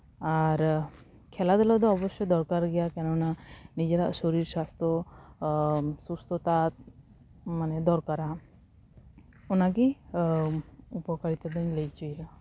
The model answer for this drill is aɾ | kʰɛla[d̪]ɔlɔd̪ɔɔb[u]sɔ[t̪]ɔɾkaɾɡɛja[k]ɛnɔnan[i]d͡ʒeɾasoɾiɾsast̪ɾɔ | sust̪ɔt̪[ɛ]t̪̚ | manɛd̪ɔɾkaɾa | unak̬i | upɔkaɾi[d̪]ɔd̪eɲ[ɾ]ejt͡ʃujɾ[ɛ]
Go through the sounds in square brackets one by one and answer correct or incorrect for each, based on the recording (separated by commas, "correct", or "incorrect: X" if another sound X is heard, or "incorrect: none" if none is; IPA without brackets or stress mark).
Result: correct, incorrect: ɔ, incorrect: d̪, correct, correct, incorrect: a, incorrect: t̪, incorrect: l, incorrect: a